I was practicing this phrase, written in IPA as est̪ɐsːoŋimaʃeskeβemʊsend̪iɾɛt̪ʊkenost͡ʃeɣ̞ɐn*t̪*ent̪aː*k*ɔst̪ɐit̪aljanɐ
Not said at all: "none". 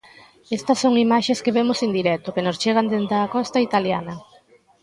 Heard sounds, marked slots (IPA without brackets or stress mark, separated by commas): d̪, k